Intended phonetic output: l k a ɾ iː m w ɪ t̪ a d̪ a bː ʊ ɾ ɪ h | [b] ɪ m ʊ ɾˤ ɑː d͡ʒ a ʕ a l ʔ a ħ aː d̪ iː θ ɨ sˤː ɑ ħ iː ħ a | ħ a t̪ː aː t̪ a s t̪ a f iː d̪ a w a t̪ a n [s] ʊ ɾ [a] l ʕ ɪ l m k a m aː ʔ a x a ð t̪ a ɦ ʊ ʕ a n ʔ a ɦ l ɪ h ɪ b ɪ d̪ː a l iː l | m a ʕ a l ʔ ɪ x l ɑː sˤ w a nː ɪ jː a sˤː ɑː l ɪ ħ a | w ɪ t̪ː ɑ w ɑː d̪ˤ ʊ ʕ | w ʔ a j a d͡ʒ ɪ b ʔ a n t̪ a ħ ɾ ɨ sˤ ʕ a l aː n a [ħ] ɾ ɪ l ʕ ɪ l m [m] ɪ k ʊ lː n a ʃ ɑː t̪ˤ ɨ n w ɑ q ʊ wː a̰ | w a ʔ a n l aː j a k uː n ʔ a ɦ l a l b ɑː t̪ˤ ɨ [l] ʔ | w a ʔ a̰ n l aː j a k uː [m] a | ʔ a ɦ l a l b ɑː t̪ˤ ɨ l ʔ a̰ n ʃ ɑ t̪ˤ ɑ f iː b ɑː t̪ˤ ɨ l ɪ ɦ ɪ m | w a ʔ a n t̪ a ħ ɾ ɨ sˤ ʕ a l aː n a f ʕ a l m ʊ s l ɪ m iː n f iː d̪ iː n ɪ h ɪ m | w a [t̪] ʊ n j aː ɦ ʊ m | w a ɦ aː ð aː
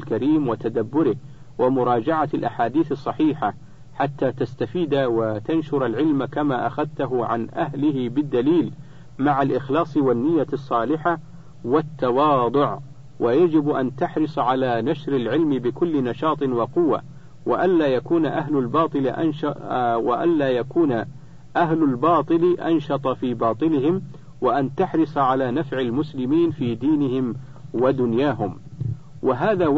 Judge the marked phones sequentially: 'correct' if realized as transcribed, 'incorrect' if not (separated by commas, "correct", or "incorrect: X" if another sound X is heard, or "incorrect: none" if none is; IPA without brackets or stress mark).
incorrect: w, incorrect: ʃ, correct, incorrect: ʃ, incorrect: b, correct, incorrect: n, incorrect: d̪